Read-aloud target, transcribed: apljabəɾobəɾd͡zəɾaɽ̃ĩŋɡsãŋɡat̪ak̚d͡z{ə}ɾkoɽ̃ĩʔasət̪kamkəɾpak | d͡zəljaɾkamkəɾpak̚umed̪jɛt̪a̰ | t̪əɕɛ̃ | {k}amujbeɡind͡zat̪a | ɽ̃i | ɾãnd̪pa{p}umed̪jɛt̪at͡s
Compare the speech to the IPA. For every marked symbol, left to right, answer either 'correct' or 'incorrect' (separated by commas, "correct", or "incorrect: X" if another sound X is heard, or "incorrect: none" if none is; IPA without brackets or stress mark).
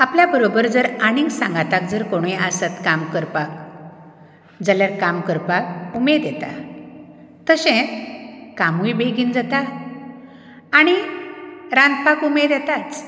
correct, correct, incorrect: k